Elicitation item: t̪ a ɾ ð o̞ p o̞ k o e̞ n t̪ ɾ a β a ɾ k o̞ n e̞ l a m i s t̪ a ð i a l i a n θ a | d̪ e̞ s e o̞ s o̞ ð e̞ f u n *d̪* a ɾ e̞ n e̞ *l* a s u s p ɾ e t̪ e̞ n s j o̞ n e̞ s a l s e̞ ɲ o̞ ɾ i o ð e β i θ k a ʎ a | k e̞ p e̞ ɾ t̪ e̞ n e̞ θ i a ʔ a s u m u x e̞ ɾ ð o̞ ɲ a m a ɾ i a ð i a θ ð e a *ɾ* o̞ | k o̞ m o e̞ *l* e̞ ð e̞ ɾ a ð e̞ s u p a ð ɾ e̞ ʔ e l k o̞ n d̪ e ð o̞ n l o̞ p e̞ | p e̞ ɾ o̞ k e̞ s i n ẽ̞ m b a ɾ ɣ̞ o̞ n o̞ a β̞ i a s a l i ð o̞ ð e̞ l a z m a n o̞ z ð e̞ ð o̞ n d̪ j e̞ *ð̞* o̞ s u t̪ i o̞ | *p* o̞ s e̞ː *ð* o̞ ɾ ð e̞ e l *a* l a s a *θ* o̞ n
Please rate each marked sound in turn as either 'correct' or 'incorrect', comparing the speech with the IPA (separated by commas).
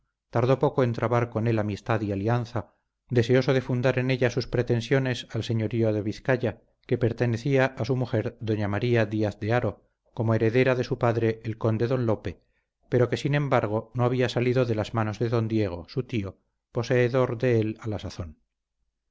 correct, incorrect, correct, incorrect, incorrect, correct, correct, correct, correct